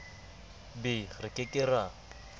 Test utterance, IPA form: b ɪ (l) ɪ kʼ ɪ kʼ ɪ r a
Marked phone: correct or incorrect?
incorrect